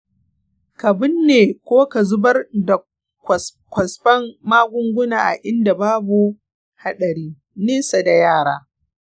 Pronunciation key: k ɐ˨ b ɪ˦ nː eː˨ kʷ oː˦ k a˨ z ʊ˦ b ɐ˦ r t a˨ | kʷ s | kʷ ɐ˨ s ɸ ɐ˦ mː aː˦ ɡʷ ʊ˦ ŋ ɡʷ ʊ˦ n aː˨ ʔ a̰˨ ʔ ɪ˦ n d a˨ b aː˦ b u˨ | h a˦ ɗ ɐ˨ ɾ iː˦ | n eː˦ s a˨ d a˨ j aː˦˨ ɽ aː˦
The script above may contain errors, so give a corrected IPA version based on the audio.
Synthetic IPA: k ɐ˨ b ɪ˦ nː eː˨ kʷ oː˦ k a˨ z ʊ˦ b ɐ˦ r d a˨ | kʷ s | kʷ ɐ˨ s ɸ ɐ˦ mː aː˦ ɡʷ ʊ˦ ŋ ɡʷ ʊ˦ n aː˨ ʔ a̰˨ ʔ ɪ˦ n d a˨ b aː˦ b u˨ | h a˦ ɗ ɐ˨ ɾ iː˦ | n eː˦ s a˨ d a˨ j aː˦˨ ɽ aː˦